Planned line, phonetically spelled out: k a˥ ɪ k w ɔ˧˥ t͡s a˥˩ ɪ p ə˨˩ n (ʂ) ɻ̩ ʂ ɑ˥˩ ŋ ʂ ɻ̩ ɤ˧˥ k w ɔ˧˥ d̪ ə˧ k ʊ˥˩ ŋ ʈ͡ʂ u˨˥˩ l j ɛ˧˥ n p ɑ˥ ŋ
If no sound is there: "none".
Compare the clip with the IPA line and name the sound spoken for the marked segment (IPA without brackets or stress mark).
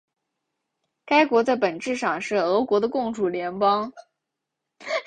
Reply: ʈ͡ʂ